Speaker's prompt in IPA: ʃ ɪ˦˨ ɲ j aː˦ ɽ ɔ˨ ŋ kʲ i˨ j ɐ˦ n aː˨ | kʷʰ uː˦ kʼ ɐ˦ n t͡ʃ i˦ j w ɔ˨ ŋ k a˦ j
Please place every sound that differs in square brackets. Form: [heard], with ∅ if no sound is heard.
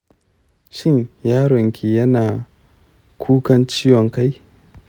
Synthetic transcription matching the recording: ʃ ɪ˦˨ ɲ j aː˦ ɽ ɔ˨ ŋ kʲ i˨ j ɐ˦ n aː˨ | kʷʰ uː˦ [k] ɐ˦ n t͡ʃ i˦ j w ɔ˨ ŋ k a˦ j